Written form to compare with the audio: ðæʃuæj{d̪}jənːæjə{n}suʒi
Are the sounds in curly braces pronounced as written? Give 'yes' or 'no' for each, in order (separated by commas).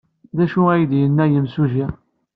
yes, no